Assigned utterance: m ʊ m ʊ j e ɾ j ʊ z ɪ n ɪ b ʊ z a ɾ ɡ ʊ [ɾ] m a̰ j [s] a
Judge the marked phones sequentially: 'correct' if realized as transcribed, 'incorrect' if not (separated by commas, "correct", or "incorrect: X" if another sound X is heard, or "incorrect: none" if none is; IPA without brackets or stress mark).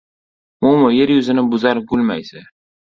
incorrect: l, correct